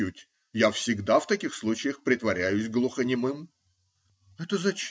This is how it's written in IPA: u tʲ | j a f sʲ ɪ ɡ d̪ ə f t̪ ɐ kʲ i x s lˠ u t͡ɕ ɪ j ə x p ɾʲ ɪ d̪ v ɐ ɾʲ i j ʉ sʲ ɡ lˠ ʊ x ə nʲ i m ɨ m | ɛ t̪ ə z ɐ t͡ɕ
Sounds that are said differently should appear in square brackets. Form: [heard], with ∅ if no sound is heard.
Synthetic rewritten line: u tʲ | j a f sʲ ɪ ɡ d̪ [a] f t̪ ɐ kʲ i x s lˠ u t͡ɕ ɪ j ə x p ɾʲ ɪ [t̪] v ɐ ɾʲ [æ] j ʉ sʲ ɡ lˠ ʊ x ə nʲ [ɪ] m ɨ m | ɛ t̪ ə z ɐ t͡ɕ